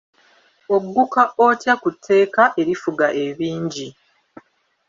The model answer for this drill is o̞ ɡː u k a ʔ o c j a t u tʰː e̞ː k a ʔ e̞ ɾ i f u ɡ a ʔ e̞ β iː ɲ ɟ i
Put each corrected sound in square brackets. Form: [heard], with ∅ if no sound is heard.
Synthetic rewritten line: o̞ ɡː u k a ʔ o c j a [k] u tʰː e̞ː k a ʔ e̞ ɾ i f u ɡ a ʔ e̞ β iː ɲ ɟ i